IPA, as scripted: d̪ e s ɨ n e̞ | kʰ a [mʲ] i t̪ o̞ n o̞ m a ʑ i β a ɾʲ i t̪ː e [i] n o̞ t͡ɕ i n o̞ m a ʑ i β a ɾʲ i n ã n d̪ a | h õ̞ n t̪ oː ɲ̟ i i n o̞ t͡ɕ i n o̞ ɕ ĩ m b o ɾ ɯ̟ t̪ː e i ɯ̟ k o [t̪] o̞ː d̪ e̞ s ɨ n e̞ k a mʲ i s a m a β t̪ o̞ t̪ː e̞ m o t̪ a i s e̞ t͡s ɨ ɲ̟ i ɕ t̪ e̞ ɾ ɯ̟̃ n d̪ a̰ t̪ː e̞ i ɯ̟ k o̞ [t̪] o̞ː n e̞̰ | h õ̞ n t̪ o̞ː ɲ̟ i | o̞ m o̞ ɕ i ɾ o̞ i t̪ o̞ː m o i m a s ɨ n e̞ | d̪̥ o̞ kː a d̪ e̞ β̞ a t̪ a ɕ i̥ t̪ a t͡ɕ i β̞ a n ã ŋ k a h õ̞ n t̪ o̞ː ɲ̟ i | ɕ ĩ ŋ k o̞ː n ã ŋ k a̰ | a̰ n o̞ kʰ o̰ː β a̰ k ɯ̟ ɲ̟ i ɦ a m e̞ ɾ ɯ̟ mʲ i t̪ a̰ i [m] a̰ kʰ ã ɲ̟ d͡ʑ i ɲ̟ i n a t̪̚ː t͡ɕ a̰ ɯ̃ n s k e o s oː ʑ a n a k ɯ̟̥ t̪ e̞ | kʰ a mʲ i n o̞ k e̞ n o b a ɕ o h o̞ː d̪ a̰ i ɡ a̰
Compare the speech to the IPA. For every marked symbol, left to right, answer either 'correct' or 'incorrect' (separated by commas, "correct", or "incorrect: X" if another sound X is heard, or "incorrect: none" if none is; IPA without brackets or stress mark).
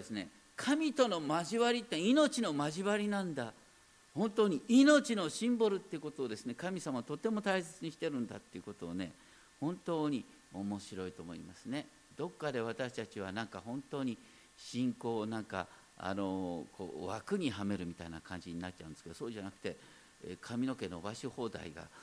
correct, correct, correct, correct, incorrect: n